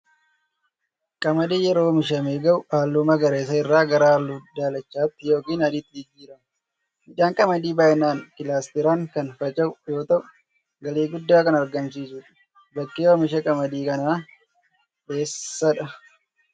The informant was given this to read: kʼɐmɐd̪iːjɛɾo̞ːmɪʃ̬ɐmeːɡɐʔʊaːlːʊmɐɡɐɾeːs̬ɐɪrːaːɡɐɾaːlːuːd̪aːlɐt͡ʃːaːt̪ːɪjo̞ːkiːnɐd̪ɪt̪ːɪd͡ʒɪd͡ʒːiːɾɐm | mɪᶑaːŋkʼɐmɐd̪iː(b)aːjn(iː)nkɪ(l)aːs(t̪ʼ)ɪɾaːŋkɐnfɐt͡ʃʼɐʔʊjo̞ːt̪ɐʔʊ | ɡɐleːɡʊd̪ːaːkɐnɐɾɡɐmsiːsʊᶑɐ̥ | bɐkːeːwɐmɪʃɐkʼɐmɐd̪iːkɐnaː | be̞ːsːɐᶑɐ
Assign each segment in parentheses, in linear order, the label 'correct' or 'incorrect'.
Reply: correct, incorrect, correct, incorrect

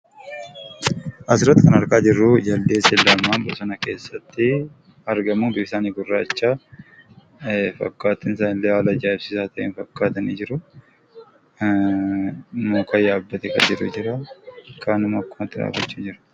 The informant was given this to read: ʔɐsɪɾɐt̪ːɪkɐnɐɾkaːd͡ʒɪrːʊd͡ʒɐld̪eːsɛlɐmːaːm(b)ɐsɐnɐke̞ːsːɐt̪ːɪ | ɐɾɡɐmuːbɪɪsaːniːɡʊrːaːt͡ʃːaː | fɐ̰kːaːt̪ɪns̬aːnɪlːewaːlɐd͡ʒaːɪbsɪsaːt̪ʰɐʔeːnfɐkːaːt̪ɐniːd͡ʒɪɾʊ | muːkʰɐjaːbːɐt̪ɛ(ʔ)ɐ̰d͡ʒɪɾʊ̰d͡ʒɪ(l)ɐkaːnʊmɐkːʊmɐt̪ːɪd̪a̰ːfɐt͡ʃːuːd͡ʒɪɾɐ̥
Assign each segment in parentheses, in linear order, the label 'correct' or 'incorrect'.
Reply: correct, incorrect, incorrect

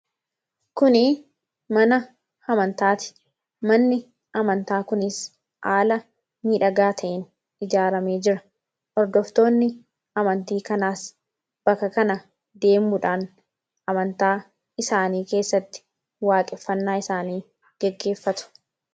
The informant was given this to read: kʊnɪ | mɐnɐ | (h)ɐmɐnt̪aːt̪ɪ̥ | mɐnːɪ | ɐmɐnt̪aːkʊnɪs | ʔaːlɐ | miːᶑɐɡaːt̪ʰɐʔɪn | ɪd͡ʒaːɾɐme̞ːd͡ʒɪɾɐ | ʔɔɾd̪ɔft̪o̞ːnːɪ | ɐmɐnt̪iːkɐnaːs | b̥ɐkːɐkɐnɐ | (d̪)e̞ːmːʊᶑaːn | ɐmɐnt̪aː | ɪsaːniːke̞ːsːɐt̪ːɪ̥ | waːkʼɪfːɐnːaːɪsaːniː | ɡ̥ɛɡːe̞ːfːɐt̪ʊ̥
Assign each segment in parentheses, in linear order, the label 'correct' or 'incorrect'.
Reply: correct, correct

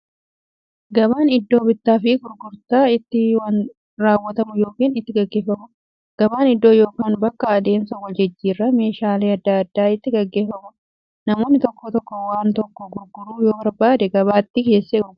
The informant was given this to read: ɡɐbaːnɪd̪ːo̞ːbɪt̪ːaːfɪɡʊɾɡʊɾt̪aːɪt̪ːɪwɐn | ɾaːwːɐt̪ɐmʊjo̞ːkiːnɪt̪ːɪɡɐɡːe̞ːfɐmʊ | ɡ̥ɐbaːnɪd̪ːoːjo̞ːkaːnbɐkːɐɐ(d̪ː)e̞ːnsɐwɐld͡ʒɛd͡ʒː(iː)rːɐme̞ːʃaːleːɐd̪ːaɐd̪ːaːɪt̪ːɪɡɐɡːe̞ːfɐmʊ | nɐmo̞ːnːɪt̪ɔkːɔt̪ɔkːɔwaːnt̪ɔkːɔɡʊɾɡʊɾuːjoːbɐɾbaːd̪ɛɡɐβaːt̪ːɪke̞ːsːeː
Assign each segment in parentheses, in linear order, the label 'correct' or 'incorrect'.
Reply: incorrect, correct

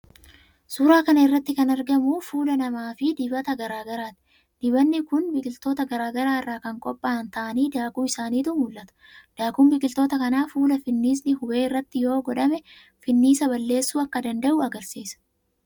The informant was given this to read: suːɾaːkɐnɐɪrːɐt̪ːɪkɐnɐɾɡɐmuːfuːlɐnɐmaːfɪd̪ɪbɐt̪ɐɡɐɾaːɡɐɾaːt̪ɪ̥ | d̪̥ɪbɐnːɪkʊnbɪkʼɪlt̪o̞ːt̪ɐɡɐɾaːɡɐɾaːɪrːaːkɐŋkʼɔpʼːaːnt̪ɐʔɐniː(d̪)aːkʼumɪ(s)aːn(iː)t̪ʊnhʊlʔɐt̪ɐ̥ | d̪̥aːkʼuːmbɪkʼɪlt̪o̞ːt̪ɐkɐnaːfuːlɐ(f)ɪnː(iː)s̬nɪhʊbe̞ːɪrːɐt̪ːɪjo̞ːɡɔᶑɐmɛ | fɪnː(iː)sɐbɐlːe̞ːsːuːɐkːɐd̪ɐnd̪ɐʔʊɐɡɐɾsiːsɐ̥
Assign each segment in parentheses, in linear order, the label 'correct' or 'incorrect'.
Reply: correct, correct, correct, correct, correct, correct

